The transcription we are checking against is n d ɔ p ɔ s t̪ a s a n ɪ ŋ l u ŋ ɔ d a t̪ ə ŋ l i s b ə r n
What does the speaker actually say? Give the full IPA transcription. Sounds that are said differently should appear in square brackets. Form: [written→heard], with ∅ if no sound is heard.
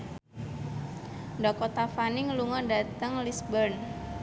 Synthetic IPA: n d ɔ [p→k] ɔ [s→∅] t̪ a [s→f] a n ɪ ŋ l u ŋ ɔ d a t̪ ə ŋ l i s b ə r n